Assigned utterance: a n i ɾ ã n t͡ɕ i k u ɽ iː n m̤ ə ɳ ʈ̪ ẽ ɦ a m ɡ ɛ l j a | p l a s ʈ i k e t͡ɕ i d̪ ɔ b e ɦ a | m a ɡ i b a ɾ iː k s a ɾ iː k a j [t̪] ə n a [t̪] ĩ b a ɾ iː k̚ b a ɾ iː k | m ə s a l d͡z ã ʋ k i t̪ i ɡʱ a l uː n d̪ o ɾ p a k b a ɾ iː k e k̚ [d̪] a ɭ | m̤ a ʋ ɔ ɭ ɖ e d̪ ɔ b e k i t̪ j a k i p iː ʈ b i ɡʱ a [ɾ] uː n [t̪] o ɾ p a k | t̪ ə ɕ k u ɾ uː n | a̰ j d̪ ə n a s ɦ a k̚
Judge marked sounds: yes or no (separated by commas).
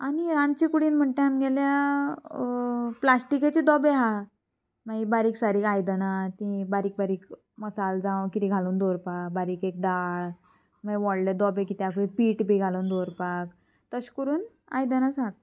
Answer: no, yes, yes, no, no